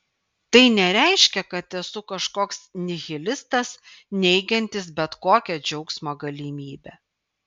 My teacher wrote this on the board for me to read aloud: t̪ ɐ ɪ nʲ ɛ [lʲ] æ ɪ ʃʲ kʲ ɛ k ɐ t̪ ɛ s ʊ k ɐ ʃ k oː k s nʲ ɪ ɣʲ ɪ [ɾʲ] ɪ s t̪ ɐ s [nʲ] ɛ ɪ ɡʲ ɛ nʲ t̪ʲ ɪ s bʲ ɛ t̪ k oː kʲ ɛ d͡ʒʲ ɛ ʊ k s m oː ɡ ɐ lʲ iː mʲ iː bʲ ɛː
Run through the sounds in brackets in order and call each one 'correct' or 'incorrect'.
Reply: incorrect: ɾʲ, incorrect: lʲ, correct

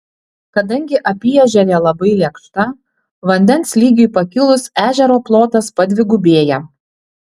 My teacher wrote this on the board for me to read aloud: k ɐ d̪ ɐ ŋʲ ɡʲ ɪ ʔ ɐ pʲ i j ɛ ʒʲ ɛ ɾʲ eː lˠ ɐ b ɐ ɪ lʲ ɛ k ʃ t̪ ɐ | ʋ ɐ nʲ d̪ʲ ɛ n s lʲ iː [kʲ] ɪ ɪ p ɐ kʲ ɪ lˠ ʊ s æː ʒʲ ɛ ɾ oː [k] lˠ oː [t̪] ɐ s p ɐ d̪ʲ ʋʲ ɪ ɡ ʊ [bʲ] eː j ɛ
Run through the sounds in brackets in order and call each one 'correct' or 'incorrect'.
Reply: incorrect: ɡʲ, incorrect: p, correct, correct

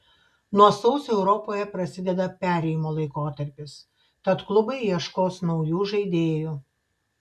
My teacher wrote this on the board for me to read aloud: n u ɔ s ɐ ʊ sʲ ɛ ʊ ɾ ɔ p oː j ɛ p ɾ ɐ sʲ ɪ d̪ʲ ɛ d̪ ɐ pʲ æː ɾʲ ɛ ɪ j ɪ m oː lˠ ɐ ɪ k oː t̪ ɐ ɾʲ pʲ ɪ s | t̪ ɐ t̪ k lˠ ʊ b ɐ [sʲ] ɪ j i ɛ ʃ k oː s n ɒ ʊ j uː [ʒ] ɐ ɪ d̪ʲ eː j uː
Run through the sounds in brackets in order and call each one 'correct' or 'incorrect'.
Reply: incorrect: none, correct

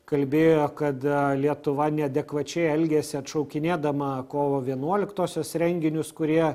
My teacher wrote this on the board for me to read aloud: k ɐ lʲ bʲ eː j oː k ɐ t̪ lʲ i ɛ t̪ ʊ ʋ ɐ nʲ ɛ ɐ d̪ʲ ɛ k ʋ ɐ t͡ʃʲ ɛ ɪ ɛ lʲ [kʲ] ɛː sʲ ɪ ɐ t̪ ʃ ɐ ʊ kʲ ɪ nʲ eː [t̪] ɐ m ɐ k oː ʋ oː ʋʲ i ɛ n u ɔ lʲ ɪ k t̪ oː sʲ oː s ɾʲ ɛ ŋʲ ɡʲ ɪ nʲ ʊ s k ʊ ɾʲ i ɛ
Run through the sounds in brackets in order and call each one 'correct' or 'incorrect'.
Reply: incorrect: ɡʲ, incorrect: d̪

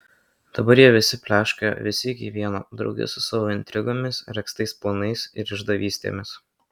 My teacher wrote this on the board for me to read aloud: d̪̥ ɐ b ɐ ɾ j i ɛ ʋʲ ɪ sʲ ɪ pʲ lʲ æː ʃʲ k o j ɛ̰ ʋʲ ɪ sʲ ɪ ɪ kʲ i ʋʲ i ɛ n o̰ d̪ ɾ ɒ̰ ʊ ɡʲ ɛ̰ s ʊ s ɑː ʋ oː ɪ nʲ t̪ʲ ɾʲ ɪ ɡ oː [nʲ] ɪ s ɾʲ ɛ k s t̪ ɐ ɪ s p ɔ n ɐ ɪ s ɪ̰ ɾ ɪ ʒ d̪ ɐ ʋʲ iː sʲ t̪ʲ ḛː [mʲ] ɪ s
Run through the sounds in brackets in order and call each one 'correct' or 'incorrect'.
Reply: incorrect: mʲ, correct

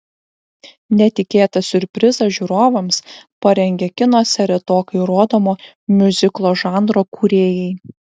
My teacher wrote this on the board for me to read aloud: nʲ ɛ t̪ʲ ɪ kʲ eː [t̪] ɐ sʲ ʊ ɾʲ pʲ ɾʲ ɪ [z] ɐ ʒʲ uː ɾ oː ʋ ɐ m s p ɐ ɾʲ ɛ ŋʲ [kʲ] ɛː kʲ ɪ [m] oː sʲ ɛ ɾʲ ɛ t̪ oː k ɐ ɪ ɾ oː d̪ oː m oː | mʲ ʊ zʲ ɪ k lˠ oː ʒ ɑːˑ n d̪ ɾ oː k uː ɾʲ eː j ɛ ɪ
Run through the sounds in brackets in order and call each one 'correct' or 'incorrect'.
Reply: correct, correct, incorrect: ɡʲ, incorrect: n

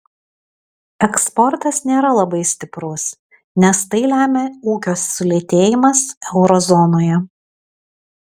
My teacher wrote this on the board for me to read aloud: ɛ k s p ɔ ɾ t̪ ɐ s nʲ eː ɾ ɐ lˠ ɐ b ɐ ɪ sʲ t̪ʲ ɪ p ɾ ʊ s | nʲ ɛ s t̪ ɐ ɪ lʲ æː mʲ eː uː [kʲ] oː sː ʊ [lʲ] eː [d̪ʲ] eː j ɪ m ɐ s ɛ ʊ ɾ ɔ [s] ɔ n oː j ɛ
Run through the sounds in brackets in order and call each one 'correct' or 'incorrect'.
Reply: correct, correct, incorrect: t̪ʲ, incorrect: z

